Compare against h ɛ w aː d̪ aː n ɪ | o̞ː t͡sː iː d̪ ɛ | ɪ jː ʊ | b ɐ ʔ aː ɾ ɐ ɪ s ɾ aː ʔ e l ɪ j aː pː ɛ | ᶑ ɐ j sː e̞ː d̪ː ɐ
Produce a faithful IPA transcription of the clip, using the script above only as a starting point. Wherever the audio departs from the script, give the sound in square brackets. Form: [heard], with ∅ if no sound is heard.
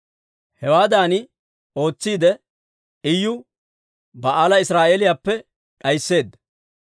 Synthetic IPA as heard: h ɛ w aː d̪ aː n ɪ | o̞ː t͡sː iː d̪ ɛ | ɪ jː ʊ | b ɐ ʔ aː [l] ɐ ɪ s ɾ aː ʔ e l ɪ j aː pː ɛ | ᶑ ɐ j sː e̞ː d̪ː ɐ